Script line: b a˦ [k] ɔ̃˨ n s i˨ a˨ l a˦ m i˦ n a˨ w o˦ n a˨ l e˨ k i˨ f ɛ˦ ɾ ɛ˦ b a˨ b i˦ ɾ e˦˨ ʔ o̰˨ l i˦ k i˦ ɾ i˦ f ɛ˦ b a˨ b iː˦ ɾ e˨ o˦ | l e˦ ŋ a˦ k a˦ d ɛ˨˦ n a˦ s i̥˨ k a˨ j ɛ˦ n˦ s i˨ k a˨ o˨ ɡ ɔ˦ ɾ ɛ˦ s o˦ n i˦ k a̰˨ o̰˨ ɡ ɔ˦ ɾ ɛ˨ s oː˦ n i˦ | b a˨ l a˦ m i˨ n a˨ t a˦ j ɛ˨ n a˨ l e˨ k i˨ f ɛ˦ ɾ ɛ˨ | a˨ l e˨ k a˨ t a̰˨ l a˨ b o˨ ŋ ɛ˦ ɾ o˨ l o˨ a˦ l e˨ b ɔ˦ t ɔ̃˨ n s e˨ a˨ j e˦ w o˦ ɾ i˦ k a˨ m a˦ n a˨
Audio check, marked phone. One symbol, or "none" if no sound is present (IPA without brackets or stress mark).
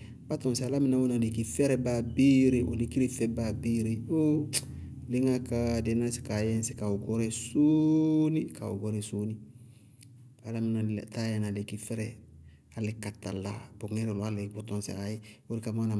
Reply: t